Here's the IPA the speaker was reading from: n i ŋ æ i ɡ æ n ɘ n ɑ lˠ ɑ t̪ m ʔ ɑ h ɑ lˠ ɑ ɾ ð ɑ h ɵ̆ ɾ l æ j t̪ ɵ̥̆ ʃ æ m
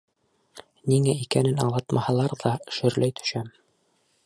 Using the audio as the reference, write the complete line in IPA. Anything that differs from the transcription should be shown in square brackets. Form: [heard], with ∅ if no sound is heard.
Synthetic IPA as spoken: n i ŋ æ i [k] æ n ɘ n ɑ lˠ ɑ t̪ m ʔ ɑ h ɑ lˠ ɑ ɾ ð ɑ [ʃ] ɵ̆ ɾ l æ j t̪ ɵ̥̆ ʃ æ m